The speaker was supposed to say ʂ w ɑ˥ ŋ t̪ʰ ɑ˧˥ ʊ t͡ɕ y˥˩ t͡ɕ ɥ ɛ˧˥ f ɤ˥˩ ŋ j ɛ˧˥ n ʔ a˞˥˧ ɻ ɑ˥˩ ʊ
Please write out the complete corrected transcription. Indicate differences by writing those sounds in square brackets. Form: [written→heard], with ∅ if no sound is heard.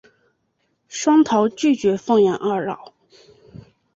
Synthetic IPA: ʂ w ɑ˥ ŋ t̪ʰ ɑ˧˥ ʊ t͡ɕ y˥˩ t͡ɕ ɥ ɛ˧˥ f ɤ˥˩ ŋ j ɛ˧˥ n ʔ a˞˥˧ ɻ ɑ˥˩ ʊ